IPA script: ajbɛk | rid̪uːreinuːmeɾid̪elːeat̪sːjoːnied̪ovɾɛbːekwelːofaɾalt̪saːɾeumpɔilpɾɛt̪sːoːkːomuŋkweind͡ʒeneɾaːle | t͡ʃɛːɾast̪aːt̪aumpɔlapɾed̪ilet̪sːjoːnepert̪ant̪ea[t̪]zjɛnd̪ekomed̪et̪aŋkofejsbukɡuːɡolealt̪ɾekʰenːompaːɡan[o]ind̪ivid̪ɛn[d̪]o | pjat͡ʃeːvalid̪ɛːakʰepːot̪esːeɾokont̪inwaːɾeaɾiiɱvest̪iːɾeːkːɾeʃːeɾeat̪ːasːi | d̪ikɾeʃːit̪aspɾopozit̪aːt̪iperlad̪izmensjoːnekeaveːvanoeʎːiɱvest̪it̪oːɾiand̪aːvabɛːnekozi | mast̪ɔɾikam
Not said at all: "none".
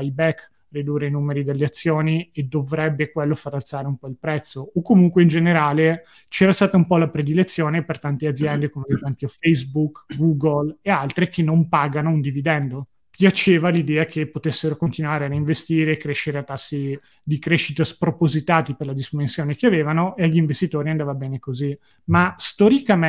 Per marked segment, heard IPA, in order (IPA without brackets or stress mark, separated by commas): d̪, o, d̪